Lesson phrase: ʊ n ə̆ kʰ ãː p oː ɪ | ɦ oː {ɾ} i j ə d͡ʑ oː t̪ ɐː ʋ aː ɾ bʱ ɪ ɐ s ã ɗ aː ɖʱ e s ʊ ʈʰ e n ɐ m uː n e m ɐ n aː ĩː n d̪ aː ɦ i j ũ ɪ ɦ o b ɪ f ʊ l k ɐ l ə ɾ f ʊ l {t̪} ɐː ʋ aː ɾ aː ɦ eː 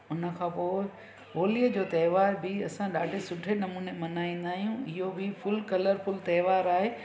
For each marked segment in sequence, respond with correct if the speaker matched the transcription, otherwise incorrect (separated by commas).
incorrect, correct